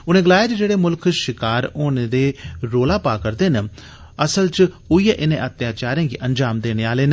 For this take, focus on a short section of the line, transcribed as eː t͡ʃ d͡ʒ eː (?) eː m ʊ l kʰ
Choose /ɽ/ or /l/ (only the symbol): ɽ